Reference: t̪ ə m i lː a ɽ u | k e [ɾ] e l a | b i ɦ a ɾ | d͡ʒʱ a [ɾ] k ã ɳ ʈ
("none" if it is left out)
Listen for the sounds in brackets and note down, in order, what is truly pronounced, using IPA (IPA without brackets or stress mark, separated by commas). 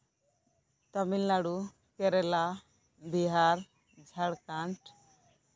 ɾ, ɽ